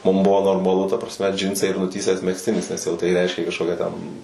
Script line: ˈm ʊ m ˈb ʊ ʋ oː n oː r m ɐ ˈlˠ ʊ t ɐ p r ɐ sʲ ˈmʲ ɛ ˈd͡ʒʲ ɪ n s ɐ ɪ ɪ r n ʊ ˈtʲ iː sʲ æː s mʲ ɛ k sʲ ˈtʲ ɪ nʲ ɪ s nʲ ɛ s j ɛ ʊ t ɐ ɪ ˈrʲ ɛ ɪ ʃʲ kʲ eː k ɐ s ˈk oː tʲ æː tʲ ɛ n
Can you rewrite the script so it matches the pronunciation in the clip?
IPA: ˈm ʊ m ˈb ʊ ʋ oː n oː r m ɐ ˈlˠ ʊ t ɐ p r ɐ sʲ ˈmʲ ɛ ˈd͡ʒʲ ɪ n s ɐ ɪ ɪ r n ʊ ˈtʲ iː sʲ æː s mʲ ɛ k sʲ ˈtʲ ɪ nʲ ɪ s nʲ ɛ s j ɛ ʊ t ɐ ɪ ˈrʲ ɛ ɪ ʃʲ kʲ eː k ɐ ʃ ˈk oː kʲ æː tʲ ɛ n